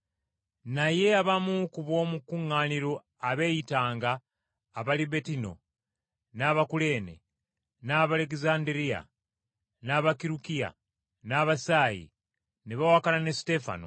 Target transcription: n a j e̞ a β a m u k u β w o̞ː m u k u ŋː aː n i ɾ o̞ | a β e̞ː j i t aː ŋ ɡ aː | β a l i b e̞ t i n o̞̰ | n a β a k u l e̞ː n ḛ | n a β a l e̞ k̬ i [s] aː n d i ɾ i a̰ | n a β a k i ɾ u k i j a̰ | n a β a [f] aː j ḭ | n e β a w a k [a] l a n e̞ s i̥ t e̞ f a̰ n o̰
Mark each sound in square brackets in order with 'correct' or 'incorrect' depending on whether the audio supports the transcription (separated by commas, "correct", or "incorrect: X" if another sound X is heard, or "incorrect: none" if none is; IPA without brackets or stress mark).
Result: incorrect: z, incorrect: s, correct